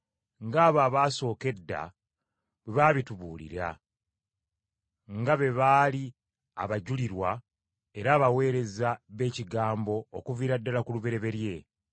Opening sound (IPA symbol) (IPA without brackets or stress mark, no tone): ŋ